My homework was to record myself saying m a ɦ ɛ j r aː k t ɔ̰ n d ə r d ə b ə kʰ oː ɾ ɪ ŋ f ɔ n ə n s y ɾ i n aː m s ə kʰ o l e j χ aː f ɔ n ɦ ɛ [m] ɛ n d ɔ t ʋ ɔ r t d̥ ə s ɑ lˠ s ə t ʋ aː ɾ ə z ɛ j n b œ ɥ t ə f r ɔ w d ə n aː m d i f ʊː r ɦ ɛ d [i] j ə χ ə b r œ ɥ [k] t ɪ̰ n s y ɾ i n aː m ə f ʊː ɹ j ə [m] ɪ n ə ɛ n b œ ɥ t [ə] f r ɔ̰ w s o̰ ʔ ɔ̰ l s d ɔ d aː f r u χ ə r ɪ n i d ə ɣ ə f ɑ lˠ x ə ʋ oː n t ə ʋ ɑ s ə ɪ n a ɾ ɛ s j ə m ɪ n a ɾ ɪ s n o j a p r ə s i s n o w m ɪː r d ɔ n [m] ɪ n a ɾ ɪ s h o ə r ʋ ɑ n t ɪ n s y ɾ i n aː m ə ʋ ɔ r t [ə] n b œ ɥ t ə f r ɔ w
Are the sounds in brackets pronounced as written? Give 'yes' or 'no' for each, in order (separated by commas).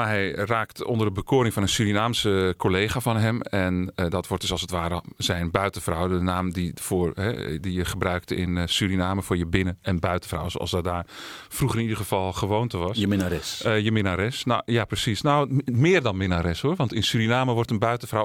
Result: yes, yes, yes, no, yes, yes, yes